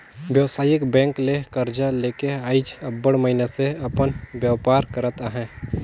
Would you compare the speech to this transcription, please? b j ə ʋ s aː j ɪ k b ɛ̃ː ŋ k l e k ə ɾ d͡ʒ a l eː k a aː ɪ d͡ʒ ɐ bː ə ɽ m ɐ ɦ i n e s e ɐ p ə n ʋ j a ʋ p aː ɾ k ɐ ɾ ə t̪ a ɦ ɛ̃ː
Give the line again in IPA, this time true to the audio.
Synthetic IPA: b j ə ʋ s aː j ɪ k b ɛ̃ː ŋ k l e k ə ɾ d͡ʒ a l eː k e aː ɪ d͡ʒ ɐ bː ə ɽ m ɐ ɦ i n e s e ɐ p ə n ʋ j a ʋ p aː ɾ k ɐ ɾ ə t̪ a ɦ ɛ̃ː